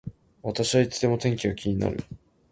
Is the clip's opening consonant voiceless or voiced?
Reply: voiced